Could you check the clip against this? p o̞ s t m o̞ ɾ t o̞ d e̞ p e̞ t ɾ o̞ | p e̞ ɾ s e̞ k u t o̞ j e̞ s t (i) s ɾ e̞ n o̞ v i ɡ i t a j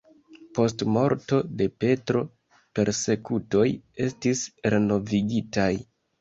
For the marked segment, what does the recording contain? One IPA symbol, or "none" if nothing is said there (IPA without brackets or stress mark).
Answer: i